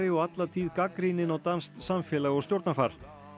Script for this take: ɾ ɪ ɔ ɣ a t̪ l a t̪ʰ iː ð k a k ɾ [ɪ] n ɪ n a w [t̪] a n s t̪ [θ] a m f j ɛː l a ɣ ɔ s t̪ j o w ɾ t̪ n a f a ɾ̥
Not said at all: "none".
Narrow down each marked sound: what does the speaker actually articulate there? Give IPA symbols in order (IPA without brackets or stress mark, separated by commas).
i, t̪, s